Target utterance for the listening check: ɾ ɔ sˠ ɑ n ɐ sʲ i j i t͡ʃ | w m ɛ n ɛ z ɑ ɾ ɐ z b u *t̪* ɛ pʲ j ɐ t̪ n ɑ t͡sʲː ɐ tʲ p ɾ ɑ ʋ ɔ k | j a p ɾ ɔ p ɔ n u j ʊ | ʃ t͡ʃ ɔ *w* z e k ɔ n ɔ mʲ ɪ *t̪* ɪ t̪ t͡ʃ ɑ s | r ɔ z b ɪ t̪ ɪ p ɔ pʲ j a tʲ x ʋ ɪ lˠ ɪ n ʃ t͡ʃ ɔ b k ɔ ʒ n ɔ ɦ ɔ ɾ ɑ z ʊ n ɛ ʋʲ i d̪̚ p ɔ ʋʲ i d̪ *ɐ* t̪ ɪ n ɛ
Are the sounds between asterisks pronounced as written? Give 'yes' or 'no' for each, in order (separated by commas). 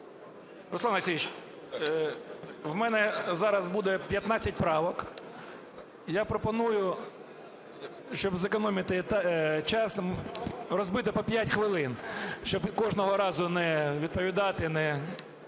no, no, yes, no